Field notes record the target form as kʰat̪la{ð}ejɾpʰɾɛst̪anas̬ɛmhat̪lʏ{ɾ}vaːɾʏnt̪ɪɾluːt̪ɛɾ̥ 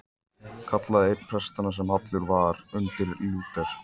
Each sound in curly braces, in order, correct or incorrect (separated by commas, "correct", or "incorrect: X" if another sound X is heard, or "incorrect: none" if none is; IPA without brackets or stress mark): correct, correct